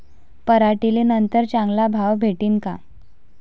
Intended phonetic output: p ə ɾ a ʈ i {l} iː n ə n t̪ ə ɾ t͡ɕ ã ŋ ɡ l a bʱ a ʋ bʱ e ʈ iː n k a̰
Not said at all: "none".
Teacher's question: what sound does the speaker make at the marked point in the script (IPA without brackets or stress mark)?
l